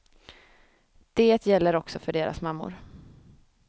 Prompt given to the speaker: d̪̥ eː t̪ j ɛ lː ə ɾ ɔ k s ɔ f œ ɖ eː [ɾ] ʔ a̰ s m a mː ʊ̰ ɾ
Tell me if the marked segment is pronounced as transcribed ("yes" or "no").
yes